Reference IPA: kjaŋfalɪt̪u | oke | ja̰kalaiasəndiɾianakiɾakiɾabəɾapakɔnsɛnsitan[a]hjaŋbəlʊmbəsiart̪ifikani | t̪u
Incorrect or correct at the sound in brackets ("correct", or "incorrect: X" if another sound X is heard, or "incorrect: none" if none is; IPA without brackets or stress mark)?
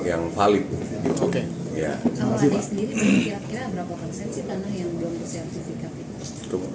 correct